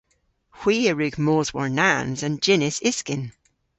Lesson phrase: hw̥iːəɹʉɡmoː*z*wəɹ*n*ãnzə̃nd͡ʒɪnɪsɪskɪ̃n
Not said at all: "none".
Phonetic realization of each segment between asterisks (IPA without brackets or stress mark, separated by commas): z, n